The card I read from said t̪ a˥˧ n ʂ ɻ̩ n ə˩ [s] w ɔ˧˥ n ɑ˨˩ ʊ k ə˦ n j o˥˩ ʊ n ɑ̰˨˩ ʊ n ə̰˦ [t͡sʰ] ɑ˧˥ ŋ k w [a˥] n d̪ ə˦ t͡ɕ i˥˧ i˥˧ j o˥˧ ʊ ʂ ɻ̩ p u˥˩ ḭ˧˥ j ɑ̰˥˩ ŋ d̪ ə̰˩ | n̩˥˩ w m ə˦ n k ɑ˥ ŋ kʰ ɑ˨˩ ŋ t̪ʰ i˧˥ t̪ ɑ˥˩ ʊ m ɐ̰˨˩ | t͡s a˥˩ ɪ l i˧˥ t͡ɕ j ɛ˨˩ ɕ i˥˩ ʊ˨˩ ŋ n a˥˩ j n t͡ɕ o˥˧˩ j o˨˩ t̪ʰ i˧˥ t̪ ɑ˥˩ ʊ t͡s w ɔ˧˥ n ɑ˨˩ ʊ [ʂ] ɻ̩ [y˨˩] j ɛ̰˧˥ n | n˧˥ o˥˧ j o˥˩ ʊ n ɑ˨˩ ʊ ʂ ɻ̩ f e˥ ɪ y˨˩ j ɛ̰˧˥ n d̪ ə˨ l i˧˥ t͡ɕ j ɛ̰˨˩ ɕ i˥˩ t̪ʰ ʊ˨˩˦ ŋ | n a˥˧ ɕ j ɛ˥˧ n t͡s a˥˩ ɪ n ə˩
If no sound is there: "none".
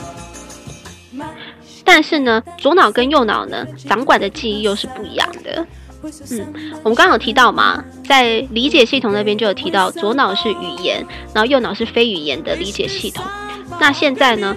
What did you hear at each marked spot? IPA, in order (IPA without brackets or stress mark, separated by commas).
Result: t͡s, t͡s, a˨˩, ʂ, y˨˩